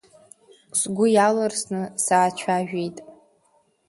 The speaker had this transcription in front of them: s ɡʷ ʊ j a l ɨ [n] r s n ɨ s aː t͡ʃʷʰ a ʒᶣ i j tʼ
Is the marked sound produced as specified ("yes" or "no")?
no